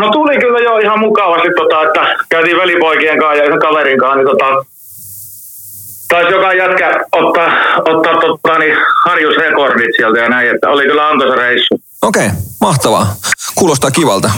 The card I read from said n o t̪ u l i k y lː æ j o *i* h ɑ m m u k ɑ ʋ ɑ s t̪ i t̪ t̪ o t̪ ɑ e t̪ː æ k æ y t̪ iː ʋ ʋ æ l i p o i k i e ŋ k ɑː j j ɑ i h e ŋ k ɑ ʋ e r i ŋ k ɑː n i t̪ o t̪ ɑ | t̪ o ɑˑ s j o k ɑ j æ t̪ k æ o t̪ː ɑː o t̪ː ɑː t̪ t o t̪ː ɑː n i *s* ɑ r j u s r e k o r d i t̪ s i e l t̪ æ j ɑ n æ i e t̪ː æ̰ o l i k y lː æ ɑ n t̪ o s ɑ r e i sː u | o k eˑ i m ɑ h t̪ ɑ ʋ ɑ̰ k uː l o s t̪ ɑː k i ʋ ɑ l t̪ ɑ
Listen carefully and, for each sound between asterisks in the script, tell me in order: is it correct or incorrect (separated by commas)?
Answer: correct, incorrect